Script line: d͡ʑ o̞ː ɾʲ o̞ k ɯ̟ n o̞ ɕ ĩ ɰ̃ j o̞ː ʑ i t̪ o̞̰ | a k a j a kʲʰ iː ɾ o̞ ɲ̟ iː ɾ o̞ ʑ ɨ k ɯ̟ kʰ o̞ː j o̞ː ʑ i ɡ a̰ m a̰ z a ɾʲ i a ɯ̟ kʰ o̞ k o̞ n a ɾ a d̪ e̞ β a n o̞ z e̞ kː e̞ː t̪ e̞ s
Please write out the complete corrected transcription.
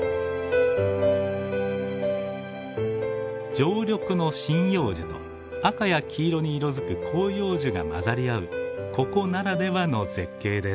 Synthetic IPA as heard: d͡ʑ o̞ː ɾʲ o̞ k ɯ̟ n o̞ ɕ ĩ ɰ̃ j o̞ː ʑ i t̪ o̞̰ | a k a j a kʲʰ iː ɾ o̞ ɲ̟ iː ɾ o̞ z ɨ k ɯ̟ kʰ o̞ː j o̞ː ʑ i ɡ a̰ m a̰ z a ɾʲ i a ɯ̟ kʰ o̞ k o̞ n a ɾ a d̪ e̞ β a n o̞ z e̞ kː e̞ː d̪ e̞ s